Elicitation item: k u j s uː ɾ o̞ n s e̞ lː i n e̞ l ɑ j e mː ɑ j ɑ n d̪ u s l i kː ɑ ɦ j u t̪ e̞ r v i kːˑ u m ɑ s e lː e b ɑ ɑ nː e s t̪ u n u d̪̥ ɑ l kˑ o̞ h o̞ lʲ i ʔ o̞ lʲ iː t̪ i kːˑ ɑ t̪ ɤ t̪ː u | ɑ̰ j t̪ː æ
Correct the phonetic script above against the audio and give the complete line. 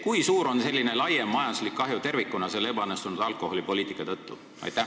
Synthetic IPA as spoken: k u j s uː ɾ o̞ n s e̞ lː i n e̞ l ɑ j e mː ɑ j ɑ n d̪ u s l i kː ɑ ɦ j u t̪ e̞ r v i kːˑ u n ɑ s e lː e b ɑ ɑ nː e s t̪ u n u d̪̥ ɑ l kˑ o̞ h o̞ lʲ i p o̞ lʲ iː t̪ i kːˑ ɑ t̪ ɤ t̪ː u | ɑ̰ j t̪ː æ